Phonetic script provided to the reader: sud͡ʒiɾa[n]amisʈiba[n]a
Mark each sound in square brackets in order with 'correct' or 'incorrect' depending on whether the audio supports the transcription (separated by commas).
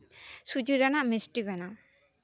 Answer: correct, correct